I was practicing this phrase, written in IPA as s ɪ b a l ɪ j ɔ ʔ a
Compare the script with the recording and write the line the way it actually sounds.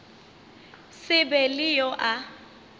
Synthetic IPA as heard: s ɪ b ɛ l ɪ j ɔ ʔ a